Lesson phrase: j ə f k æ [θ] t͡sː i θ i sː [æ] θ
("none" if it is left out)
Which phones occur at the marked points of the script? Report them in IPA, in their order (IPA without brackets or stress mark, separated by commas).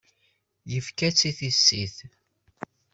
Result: none, i